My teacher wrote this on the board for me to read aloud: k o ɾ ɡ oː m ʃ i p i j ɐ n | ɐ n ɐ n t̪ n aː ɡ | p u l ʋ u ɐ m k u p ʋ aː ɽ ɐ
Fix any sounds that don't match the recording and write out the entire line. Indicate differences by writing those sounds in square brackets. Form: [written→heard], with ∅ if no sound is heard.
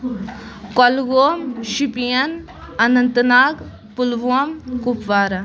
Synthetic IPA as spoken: k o [ɾ→l] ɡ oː m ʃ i p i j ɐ n | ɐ n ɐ n t̪ n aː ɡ | p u l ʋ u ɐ m k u p ʋ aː [ɽ→ɾ] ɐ